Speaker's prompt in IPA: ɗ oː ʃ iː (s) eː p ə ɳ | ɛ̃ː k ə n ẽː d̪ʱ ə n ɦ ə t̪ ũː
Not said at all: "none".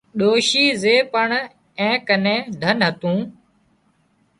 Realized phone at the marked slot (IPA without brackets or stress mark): z